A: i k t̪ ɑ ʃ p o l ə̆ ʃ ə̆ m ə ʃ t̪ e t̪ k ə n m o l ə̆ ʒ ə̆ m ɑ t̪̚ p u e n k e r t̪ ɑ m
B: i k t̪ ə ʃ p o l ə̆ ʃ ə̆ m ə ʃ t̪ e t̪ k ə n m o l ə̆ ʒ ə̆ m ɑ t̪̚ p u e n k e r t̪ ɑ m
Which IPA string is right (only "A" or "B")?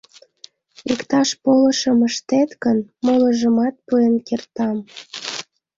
A